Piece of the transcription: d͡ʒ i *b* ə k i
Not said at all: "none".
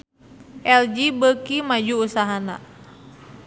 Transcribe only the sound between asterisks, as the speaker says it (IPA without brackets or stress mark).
b